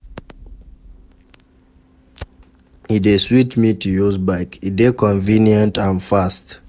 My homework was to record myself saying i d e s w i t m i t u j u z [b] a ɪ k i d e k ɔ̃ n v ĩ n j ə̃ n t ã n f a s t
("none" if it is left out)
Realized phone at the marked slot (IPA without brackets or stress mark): b